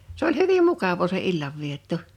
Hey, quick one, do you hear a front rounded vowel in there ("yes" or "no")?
yes